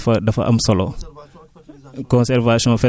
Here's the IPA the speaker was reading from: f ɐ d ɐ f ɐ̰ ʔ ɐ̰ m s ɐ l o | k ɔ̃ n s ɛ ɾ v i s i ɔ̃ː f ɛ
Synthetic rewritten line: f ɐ d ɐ f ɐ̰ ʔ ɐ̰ m s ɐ l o | k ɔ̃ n s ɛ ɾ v a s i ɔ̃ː f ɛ

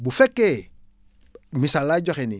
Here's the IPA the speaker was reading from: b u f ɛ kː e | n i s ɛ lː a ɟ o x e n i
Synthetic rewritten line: b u f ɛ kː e | m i s a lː a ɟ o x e n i

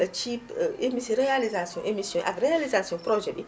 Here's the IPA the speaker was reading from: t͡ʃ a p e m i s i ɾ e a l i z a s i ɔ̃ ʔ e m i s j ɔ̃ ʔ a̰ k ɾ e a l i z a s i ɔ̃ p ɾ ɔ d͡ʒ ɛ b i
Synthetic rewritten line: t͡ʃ i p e m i s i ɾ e a l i z a s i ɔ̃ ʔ e m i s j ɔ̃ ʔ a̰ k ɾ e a l i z a s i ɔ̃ p ɾ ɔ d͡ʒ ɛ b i

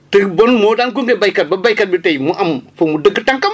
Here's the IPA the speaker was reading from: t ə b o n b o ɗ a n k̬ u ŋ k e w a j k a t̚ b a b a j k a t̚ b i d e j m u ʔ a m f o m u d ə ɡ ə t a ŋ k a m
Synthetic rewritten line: t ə b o n m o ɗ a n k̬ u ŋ ɡ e b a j k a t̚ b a b a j k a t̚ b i t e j m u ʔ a m f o m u d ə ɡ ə t a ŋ k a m

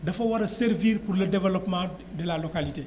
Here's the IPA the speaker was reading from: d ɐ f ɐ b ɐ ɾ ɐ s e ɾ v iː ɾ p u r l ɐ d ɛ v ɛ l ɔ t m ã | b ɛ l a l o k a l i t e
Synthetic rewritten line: d ɐ f ɐ w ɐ ɾ ɐ s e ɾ v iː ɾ p u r l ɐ d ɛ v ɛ l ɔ p m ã | d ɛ l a l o k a l i t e

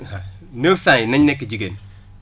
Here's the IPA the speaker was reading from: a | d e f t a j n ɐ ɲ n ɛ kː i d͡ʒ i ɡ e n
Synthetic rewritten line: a | n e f s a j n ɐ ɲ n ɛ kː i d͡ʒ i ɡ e n

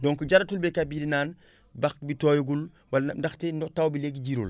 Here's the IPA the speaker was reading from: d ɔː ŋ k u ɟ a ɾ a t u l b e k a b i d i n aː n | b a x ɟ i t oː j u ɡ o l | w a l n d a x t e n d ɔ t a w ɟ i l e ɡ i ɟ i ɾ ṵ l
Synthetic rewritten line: d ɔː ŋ k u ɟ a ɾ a t u l b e k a b i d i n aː n | b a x b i t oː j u ɡ u l | w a l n d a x t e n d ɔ t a w b i l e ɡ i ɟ i ɾ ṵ l

